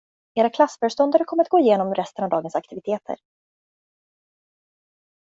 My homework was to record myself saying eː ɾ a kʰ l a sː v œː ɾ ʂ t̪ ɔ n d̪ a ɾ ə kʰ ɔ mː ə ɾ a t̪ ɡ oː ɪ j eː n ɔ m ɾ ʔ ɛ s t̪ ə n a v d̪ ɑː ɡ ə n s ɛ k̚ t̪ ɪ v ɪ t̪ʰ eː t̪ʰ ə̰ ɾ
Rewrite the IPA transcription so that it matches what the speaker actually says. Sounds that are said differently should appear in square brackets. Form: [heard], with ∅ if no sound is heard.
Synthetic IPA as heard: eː ɾ a kʰ l a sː [f] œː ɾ ʂ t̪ ɔ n d̪ a ɾ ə kʰ ɔ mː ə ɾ a t̪ ɡ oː ɪ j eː n ɔ m ɾ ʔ ɛ s t̪ ə n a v d̪ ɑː ɡ ə n s [a] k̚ t̪ ɪ v ɪ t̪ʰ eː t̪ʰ ə̰ ɾ